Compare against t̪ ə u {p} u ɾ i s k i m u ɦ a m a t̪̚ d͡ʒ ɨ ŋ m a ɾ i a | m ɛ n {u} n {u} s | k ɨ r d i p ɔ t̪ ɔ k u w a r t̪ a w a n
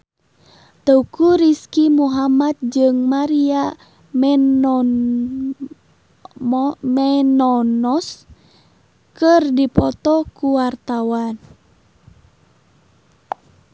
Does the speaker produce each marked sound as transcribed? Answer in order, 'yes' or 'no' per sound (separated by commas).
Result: no, no, no